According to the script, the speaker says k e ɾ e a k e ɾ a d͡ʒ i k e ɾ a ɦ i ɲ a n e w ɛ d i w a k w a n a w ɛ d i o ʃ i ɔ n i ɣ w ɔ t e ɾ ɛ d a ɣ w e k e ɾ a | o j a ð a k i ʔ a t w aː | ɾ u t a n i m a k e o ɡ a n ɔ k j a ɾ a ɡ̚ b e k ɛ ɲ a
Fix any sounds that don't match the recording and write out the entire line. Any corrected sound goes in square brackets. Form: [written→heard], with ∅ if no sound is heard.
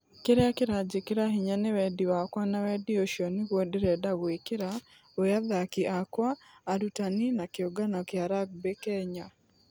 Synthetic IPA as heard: k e ɾ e a k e ɾ a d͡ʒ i k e ɾ a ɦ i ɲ a n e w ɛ d i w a k w a n a w ɛ d i o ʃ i ɔ n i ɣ w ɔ [t→d] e ɾ ɛ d a ɣ w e k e ɾ a | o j a ð a k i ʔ a [t→k] w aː | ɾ u t a n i [m→n] a k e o ɡ a n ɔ k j a ɾ a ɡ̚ b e k ɛ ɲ a